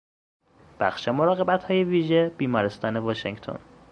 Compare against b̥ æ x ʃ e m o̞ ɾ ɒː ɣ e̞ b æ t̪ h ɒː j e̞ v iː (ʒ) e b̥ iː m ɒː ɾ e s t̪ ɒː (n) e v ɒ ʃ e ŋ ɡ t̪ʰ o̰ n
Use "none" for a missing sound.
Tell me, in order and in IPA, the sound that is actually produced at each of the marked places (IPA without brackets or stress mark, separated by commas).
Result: ʒ, n